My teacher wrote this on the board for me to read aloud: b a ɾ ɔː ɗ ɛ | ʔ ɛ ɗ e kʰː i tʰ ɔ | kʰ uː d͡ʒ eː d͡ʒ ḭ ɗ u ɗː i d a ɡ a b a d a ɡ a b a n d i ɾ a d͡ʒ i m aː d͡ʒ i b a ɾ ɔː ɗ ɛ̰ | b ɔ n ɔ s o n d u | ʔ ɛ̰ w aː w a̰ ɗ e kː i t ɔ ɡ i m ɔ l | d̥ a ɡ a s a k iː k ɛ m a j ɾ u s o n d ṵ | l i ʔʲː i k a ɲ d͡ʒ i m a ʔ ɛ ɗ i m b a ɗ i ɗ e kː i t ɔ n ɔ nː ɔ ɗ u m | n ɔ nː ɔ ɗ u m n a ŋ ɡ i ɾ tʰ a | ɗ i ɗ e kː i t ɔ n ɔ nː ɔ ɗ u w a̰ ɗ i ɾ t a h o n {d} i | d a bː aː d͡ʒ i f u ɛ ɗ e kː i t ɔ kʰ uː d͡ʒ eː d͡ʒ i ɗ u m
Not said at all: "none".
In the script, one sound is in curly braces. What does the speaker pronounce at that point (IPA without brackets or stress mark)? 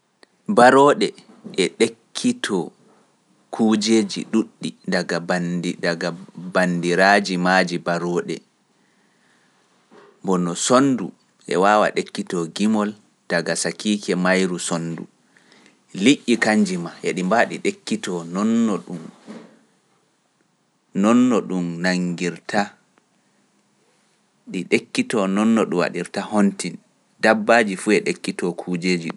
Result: t